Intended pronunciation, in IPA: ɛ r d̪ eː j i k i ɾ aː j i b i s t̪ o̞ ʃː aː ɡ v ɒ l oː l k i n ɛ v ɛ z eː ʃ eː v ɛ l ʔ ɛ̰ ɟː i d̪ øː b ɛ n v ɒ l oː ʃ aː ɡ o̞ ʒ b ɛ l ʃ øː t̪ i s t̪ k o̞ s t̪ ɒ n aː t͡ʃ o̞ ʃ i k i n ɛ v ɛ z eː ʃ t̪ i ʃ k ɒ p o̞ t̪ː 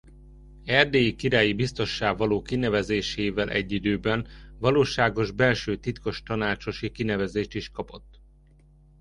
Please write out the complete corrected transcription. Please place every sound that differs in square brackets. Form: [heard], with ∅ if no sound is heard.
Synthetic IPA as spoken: ɛ r d̪ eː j i k i ɾ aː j i b i s t̪ o̞ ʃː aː ɡ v ɒ l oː [∅] k i n ɛ v ɛ z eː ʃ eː v ɛ l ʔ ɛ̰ ɟː i d̪ øː b ɛ n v ɒ l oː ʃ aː ɡ o̞ ʒ b ɛ l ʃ øː t̪ i [∅] t̪ k o̞ [ʃ] t̪ ɒ n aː t͡ʃ o̞ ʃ i k i n ɛ v ɛ z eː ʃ t̪ i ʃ k ɒ p o̞ t̪ː